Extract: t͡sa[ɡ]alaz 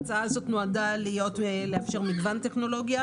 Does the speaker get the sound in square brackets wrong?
yes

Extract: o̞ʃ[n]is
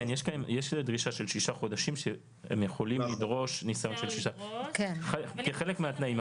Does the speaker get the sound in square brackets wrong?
no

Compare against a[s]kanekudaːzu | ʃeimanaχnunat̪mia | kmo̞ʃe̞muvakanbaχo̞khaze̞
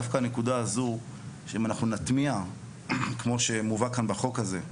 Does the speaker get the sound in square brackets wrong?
yes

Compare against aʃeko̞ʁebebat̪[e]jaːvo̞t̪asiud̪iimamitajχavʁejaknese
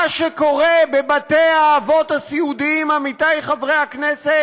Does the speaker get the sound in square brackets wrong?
no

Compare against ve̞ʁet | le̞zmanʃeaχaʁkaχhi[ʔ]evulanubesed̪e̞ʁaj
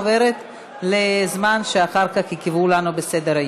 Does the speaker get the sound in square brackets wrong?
yes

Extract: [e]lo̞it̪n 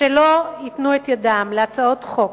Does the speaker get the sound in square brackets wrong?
no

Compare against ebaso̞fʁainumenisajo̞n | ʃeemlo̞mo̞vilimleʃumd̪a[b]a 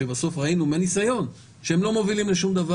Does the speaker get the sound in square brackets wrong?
yes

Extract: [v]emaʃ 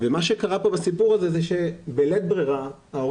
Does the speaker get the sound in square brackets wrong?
no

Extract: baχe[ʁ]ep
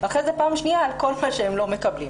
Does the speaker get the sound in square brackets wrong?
yes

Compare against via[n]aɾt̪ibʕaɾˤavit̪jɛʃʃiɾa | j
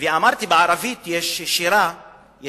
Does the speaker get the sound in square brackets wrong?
yes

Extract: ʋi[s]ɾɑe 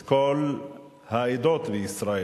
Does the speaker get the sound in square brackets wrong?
no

